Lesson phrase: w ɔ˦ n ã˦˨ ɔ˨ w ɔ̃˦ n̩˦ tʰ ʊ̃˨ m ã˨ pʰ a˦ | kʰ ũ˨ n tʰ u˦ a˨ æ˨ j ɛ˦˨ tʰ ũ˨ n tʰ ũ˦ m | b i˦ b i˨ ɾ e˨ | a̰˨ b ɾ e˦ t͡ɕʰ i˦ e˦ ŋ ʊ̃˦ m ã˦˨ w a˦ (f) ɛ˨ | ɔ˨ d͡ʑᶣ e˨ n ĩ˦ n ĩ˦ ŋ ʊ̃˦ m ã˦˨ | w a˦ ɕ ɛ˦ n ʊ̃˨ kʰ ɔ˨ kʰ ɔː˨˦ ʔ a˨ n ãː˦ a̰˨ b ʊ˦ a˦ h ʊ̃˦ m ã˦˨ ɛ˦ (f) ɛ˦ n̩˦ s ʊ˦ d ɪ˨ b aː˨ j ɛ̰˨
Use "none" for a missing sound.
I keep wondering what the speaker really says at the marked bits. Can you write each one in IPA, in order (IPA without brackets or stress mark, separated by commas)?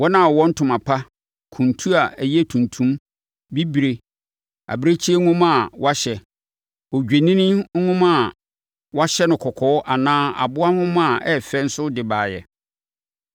ɕ, f